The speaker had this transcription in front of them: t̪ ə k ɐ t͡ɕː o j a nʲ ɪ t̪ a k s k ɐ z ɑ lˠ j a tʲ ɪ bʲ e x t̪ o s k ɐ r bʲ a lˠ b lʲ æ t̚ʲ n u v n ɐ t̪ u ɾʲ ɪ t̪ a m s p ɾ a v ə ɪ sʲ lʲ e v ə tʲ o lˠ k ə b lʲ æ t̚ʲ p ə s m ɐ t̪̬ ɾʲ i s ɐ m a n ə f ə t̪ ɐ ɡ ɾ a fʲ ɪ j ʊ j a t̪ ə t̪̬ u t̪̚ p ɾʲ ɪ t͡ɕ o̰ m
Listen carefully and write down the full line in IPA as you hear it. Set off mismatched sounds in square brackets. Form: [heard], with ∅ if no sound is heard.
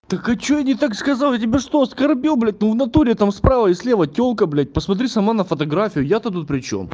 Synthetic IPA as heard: t̪ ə k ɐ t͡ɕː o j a nʲ ɪ t̪ a k s k ɐ z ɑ lˠ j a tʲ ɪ bʲ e [ʂ] t̪ o s k ɐ r bʲ [i] lˠ b lʲ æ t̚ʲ n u v n ɐ t̪ u ɾʲ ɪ t̪ a m s p ɾ a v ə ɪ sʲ lʲ e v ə tʲ o lˠ k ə b lʲ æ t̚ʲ p ə s m ɐ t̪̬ ɾʲ i s ɐ m a n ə f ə t̪ ɐ ɡ ɾ a fʲ ɪ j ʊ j a t̪ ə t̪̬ u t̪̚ p ɾʲ ɪ t͡ɕ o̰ m